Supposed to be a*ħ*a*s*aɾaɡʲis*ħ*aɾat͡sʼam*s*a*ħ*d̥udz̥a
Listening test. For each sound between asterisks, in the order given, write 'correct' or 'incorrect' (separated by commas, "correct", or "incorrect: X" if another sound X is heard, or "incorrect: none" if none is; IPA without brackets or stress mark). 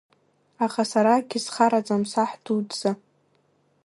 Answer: incorrect: χ, correct, incorrect: χ, correct, correct